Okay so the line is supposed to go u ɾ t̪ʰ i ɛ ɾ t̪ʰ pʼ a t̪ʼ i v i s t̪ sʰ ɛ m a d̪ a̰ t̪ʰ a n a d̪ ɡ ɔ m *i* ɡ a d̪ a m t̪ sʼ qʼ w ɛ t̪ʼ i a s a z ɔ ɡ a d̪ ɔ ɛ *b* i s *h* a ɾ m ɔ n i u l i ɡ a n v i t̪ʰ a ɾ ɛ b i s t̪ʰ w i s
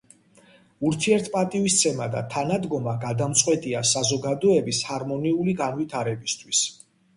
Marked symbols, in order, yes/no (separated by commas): no, yes, yes